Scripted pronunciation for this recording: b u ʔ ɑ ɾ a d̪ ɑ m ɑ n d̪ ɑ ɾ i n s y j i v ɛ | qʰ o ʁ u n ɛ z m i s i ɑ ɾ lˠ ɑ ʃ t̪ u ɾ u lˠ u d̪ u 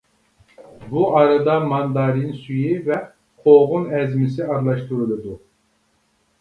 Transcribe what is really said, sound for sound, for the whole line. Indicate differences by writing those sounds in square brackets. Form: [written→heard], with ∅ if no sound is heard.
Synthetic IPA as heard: b u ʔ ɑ ɾ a d̪ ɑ m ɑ n d̪ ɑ ɾ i n s y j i v ɛ | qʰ o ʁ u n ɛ z m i s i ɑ ɾ lˠ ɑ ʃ t̪ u ɾ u lˠ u d̪ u

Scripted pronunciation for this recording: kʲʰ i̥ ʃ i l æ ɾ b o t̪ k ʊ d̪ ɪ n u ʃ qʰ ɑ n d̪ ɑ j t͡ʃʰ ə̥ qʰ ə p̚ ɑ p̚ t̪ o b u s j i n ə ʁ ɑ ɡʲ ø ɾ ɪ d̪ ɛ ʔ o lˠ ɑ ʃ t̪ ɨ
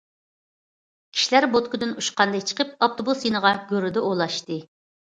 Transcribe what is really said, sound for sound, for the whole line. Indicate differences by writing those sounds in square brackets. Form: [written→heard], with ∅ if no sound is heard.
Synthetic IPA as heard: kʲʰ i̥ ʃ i l æ ɾ b o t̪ k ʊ d̪ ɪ n u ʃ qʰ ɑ n d̪ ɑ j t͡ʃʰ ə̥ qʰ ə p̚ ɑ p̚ t̪ o b u s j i n ə ʁ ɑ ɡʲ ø ɾ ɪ d̪ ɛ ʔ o lˠ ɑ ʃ t̪ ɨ

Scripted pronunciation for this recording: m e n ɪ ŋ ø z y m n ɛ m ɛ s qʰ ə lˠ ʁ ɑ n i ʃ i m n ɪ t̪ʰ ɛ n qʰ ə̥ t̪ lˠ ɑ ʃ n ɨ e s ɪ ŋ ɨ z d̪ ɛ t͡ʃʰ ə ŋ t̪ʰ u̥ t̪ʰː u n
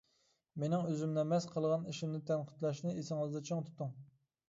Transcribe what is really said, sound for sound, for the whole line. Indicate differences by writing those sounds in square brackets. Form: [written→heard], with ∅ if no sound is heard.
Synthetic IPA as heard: m e n ɪ ŋ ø z y m n ɛ m ɛ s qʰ ə lˠ ʁ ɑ n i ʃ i m n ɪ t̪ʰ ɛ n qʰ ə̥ t̪ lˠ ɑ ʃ n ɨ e s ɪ ŋ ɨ z d̪ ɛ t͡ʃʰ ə ŋ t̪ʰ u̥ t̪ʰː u [n→ŋ]

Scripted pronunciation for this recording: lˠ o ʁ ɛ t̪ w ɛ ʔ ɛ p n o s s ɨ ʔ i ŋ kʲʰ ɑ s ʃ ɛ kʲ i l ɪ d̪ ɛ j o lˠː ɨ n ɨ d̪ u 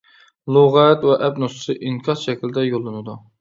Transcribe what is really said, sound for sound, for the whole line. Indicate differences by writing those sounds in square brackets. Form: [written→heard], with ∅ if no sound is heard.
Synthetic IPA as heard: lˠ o ʁ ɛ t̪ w ɛ ʔ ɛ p n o s s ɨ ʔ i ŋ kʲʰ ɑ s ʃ ɛ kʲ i l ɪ d̪ ɛ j o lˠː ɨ n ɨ d̪ u

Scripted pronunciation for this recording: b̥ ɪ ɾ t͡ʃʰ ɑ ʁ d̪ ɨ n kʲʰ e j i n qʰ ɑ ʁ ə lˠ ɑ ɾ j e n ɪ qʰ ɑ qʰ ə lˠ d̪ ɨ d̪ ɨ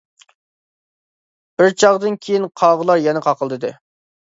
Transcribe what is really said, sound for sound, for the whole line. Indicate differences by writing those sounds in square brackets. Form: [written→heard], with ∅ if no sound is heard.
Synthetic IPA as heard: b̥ ɪ ɾ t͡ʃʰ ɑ ʁ d̪ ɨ n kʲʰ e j i n qʰ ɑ ʁ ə lˠ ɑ ɾ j [e→ɛ] n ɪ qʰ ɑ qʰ ə lˠ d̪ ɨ d̪ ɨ

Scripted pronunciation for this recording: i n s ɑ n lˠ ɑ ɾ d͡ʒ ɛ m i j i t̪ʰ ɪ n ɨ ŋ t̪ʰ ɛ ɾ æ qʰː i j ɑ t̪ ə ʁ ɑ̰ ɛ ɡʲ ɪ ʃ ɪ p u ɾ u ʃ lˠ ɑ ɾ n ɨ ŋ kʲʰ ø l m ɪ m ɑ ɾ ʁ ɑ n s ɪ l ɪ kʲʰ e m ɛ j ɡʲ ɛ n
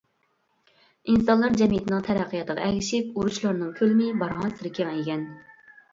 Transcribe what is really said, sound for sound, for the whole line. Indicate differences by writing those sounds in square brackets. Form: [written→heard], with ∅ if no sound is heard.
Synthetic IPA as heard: i n s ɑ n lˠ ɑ ɾ d͡ʒ ɛ m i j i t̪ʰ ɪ n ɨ ŋ t̪ʰ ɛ ɾ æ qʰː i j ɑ t̪ ə ʁ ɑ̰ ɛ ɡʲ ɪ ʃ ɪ p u ɾ u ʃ lˠ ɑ ɾ n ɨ ŋ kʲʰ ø l m ɪ [m→b] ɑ ɾ ʁ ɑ n s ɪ [l→ɾ] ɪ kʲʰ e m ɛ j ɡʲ ɛ n

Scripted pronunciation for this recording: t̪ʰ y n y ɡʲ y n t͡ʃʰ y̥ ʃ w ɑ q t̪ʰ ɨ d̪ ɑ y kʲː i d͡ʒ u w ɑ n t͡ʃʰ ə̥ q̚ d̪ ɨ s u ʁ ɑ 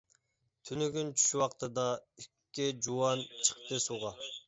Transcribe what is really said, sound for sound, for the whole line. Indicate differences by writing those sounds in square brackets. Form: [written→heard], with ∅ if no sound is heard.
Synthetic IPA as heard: t̪ʰ y n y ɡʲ y n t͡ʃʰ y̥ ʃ w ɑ q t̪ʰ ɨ d̪ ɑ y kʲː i d͡ʒ u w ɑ n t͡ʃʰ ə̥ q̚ [d̪→t̪] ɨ s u ʁ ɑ

